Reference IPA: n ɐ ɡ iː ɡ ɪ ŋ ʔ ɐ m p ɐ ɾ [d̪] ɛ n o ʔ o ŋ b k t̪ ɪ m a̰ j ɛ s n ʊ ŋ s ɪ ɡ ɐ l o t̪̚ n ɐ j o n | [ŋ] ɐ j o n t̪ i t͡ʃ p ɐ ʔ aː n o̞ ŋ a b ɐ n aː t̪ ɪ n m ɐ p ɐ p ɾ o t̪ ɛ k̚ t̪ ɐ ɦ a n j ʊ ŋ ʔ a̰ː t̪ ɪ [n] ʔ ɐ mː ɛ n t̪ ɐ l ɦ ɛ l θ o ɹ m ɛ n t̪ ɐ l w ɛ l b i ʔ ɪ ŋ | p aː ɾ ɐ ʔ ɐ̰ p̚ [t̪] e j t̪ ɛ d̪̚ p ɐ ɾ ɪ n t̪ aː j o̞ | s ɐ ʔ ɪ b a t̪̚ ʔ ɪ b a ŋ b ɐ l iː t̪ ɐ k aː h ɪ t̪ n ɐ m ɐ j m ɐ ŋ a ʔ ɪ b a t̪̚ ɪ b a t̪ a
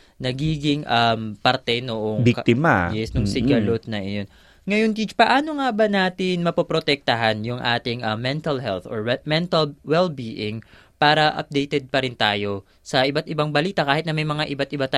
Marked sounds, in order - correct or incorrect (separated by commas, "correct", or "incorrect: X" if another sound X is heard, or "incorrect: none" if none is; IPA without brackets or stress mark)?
incorrect: t̪, correct, incorrect: ŋ, incorrect: d̪